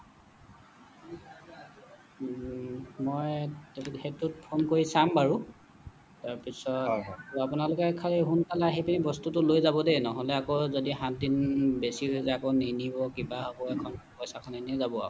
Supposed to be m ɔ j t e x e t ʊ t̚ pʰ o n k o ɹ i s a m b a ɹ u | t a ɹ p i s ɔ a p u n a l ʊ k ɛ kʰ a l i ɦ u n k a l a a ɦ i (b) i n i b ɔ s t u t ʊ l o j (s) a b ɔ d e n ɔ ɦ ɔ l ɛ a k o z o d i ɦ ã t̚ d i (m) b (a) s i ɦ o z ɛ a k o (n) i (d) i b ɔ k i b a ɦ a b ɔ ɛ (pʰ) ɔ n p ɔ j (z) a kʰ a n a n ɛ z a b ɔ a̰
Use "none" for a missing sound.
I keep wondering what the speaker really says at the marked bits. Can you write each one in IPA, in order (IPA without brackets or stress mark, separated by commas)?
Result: p, z, n, e, n, n, kʰ, s